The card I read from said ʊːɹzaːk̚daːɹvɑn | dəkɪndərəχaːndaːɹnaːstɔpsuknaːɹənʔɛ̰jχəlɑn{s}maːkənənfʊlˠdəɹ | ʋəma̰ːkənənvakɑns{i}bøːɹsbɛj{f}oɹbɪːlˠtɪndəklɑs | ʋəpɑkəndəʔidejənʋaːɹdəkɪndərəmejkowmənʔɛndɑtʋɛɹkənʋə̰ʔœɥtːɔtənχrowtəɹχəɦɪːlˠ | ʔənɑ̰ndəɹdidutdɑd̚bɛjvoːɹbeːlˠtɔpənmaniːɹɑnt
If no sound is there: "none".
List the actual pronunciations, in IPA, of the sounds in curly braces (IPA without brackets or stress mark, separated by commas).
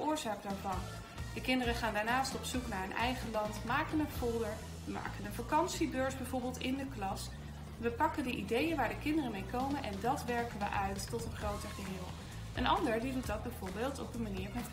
t, i, v